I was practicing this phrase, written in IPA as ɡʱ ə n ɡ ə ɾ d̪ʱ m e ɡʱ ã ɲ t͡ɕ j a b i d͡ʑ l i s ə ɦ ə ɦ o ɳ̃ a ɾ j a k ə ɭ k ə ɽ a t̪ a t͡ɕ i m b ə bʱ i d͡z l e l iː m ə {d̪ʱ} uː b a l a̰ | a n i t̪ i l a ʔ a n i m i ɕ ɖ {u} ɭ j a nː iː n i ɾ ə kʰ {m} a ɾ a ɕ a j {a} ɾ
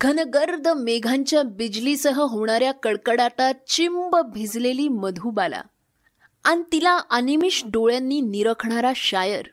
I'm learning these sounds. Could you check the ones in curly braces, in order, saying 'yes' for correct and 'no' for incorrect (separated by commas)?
yes, no, no, no